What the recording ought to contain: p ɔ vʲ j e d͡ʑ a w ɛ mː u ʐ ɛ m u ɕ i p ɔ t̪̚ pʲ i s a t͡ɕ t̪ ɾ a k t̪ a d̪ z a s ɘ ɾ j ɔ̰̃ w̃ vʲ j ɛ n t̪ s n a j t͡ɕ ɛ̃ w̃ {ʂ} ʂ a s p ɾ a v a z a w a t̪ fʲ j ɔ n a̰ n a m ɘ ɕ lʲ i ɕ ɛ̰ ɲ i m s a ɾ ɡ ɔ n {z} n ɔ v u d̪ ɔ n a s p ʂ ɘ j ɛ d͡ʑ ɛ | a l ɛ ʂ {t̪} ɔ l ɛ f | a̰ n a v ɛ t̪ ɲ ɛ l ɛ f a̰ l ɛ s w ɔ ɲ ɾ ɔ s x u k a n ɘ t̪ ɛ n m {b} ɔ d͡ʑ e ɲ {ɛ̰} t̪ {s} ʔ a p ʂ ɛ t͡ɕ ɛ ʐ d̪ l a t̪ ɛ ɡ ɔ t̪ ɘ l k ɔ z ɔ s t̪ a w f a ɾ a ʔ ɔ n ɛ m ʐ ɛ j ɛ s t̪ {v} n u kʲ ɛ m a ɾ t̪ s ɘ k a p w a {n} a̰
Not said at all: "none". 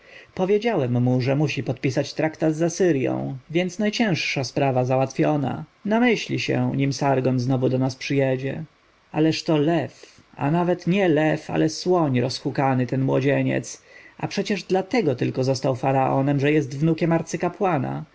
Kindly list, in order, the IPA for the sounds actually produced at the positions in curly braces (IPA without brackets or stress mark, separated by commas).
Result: ʂ, z, t̪, w, ɛ̰, s, v, n